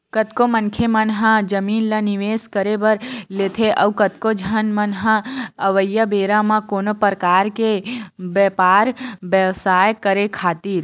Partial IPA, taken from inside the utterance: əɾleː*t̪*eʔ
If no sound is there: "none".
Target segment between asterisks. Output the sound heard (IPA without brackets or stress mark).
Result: t̪ʰ